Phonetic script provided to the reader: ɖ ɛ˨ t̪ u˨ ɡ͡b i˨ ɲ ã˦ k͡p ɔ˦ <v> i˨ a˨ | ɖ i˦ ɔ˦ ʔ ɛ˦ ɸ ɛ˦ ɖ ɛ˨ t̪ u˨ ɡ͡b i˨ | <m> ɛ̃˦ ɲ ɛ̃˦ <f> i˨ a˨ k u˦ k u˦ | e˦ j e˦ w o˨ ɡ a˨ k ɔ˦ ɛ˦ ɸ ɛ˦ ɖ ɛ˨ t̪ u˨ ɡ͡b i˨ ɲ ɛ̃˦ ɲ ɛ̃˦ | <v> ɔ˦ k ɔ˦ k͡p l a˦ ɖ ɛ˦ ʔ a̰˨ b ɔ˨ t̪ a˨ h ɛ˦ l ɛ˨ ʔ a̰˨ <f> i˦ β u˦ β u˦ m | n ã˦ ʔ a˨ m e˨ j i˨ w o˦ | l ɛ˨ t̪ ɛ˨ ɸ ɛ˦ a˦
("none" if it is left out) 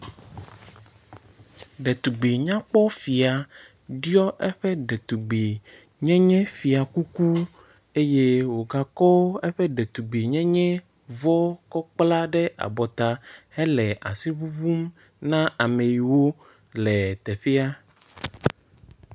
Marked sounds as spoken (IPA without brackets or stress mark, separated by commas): f, ɲ, f, v, s